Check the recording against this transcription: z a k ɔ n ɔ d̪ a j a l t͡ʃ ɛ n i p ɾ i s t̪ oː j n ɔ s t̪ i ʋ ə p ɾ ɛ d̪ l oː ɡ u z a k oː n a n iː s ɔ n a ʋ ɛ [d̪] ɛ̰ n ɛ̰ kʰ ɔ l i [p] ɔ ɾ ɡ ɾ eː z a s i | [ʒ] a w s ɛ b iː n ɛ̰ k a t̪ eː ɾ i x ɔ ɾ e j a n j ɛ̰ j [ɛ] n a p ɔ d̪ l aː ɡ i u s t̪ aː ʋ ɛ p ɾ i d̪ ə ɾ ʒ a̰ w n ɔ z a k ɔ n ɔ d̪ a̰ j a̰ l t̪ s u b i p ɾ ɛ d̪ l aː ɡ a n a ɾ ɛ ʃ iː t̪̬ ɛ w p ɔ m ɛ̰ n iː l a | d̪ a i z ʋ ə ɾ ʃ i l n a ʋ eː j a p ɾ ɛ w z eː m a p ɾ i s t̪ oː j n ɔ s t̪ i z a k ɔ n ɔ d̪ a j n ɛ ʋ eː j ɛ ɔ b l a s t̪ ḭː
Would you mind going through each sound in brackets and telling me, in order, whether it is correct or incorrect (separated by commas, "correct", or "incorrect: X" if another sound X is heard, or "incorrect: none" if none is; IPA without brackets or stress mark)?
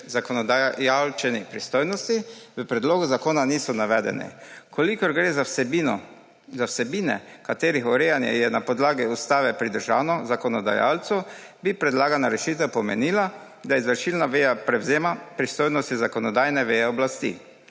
correct, incorrect: k, incorrect: z, correct